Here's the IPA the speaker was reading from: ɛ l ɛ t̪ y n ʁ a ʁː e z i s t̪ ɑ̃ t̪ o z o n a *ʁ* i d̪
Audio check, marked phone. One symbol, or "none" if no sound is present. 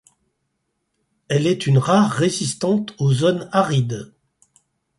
ʁ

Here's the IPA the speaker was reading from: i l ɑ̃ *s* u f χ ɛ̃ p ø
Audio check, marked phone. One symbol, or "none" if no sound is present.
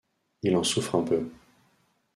s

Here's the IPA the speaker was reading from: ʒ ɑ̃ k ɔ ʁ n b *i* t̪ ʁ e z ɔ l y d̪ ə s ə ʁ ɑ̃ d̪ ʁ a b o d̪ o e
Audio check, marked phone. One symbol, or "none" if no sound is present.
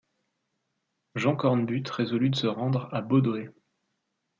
y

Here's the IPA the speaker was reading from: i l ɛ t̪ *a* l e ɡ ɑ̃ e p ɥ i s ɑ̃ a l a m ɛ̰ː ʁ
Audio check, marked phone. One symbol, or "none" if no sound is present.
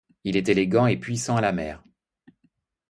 e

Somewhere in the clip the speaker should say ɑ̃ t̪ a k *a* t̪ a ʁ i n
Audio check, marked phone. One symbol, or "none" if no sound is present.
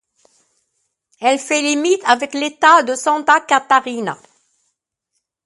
a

